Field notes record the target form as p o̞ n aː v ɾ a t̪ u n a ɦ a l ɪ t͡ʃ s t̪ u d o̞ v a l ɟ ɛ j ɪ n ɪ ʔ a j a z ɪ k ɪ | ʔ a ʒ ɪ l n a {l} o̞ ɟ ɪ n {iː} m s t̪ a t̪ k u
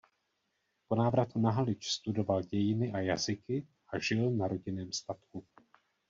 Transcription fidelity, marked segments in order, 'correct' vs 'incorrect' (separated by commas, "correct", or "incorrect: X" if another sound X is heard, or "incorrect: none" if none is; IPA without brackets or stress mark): incorrect: ɾ, incorrect: ɛː